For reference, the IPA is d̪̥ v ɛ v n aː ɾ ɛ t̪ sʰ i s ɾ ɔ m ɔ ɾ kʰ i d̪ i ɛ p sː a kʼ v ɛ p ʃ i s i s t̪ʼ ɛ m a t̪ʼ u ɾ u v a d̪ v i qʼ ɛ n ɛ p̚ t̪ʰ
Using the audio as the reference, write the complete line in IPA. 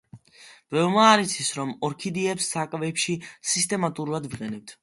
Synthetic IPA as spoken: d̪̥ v ɛ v m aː ɾ i t̪ sʰ i s ɾ ɔ m ɔ ɾ kʰ i d̪ i ɛ p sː a kʼ v ɛ p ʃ i s i s t̪ʼ ɛ m a t̪ʼ u ɾ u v a d̪ v i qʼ ɛ n ɛ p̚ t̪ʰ